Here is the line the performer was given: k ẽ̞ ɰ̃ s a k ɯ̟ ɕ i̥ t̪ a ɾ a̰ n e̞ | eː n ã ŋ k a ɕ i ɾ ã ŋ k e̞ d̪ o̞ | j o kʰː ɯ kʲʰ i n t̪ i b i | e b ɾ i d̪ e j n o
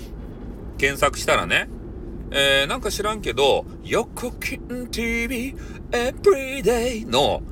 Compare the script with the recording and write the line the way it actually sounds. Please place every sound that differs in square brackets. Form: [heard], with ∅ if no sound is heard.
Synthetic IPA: k ẽ̞ ɰ̃ s a k ɯ̟ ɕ i̥ t̪ a ɾ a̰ n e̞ | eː n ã ŋ k a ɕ i ɾ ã ŋ k e̞ d̪ o̞ | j o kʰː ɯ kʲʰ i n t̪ i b i | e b ɾ i d̪ e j n o